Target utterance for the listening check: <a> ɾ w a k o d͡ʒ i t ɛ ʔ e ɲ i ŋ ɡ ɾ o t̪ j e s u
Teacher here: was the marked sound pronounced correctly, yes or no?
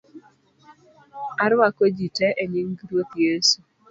yes